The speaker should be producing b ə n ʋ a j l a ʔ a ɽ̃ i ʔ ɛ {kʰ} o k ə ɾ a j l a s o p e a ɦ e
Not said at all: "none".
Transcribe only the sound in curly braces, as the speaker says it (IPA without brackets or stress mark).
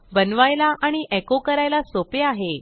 k